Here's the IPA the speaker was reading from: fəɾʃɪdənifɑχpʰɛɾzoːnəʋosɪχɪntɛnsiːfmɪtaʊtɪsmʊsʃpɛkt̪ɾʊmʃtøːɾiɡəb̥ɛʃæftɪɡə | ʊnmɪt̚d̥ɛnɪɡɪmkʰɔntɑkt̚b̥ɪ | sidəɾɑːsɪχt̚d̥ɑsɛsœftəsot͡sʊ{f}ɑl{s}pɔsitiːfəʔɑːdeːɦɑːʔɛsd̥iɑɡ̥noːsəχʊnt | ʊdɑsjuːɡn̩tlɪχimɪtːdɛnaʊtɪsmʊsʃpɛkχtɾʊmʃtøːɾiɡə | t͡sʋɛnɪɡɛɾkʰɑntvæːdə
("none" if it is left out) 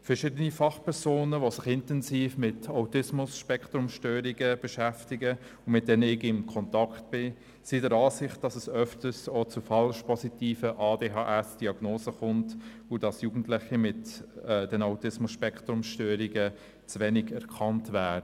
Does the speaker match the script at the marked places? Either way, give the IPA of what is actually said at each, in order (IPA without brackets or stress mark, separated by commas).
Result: f, ʃ